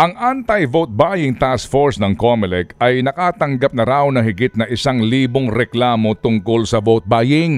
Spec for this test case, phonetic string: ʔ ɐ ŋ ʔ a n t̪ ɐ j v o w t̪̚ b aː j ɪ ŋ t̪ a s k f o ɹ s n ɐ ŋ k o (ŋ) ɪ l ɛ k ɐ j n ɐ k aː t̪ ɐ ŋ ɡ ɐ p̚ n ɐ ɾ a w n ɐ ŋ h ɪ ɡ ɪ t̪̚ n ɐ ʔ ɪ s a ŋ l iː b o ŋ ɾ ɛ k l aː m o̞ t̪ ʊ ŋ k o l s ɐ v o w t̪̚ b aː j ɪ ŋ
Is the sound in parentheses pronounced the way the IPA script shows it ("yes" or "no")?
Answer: no